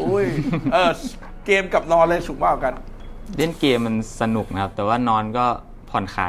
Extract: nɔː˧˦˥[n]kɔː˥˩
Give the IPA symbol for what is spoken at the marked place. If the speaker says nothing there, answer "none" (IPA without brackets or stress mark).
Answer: n